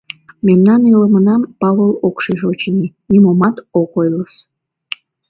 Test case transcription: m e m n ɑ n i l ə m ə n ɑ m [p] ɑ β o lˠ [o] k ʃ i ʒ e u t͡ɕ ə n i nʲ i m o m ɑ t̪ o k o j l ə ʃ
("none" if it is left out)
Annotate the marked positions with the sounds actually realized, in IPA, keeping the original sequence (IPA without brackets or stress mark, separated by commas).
p, o